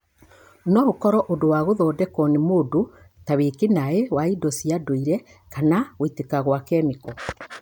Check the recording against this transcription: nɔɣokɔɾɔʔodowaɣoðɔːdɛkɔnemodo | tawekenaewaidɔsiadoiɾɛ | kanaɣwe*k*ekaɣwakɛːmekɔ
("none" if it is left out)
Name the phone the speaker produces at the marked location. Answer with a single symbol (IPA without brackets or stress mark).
t